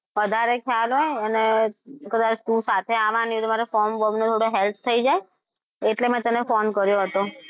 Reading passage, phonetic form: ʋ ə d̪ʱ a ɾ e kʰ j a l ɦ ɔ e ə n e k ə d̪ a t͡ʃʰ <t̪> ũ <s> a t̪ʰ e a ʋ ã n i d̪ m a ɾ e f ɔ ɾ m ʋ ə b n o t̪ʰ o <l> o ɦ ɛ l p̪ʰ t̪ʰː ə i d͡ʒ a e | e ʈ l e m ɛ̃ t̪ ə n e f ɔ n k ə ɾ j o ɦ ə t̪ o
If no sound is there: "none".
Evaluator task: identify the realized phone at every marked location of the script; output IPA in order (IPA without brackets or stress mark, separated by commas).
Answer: t̪, s, ɽ